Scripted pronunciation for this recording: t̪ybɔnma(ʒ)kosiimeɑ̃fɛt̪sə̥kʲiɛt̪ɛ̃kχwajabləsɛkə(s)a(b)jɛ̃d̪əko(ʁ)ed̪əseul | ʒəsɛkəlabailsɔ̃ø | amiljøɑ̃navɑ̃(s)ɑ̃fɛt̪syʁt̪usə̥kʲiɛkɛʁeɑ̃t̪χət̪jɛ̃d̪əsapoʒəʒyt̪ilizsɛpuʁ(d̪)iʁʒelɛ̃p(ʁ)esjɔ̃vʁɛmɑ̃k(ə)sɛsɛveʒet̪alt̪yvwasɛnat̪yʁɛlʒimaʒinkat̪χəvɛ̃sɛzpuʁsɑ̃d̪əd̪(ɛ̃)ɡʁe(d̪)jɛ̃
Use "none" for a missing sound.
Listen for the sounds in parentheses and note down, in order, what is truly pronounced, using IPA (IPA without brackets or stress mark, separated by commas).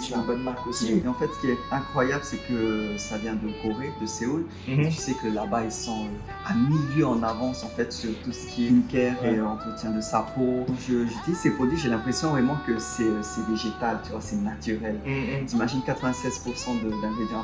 ʁ, s, v, ʁ, s, d̪, χ, ə, ɛ̃, d̪